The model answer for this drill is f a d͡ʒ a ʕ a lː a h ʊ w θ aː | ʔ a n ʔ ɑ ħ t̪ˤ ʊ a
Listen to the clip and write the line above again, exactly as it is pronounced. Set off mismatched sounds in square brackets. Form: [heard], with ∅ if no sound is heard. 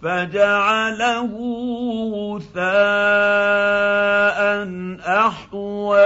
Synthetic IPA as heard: f a d͡ʒ a ʕ a [l] a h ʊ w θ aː | ʔ a n ʔ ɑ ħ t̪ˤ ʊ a